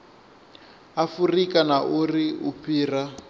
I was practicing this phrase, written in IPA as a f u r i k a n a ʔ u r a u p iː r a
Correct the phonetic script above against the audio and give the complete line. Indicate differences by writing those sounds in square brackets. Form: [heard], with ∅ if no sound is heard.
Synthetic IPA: a f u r i k a n a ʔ u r [i] u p iː r a